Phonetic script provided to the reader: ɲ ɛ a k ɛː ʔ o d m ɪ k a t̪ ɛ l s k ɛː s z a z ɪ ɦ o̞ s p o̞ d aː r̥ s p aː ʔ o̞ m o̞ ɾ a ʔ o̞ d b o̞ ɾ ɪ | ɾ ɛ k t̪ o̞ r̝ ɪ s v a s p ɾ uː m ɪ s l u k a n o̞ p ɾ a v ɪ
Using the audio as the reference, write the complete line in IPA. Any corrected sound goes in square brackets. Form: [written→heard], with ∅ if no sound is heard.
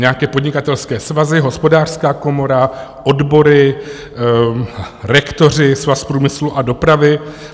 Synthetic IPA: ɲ ɛ a k ɛː [ʔ→p] o d [m→ɲ] ɪ k a t̪ ɛ l s k ɛː s [z→v] a z ɪ ɦ o̞ s p o̞ d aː r̥ s [p→k] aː [ʔ→k] o̞ m o̞ ɾ a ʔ o̞ d b o̞ ɾ ɪ | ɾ ɛ k t̪ o̞ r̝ ɪ s v a s p ɾ uː m ɪ s l u [k→ʔ] a [n→d] o̞ p ɾ a v ɪ